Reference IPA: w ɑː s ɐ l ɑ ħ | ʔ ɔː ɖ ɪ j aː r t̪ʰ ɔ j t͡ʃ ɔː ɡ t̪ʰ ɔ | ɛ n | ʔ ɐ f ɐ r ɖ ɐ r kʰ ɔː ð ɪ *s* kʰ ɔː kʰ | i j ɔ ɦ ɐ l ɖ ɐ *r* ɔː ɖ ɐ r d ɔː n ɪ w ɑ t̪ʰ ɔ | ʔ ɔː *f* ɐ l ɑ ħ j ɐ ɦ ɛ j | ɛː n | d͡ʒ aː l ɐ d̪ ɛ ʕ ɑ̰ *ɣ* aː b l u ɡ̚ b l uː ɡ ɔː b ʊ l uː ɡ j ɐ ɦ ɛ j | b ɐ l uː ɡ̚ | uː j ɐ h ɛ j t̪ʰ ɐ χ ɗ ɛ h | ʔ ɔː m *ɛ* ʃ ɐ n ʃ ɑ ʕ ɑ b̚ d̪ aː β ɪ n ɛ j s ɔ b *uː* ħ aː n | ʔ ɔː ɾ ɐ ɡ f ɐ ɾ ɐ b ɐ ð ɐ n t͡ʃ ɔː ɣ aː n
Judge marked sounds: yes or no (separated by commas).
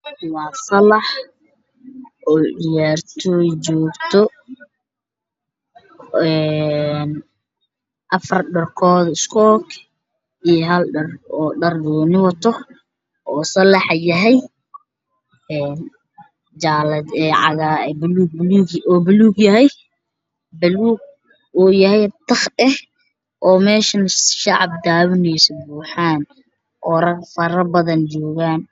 yes, yes, no, yes, no, yes